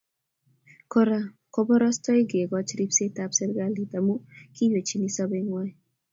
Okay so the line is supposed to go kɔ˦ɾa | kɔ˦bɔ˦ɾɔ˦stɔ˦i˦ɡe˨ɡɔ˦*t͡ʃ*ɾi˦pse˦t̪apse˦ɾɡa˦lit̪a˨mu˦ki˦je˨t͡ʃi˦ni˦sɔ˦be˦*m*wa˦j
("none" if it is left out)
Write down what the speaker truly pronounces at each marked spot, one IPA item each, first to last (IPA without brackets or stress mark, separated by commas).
t͡ʃ, ŋ